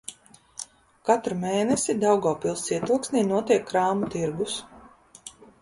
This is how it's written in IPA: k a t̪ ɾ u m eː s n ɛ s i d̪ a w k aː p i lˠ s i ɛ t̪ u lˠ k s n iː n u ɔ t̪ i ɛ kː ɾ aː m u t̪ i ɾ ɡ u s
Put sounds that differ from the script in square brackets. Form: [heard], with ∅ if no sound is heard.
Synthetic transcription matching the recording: k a t̪ ɾ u m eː [∅] n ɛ s i d̪ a w [ɡ] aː p i lˠ s i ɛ t̪ u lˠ k s n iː n u ɔ t̪ i ɛ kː ɾ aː m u t̪ i ɾ ɡ u s